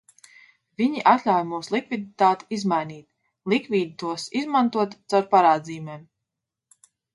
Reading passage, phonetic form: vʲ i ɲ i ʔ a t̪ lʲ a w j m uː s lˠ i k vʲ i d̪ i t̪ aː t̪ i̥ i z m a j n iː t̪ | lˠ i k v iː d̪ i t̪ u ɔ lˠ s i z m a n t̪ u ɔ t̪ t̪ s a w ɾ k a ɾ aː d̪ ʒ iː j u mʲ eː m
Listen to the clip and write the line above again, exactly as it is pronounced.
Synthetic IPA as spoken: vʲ i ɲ i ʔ a t̪ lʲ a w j m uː s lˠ i k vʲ i d̪ i t̪ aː t̪ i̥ i z m a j n iː t̪ | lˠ i k v iː d̪ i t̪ u ɔ s i z m a n t̪ u ɔ t̪ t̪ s a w ɾ p a ɾ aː d̪ z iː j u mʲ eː m